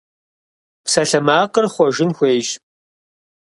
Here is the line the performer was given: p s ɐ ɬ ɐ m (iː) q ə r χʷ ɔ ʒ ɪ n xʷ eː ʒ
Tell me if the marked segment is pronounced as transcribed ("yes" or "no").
no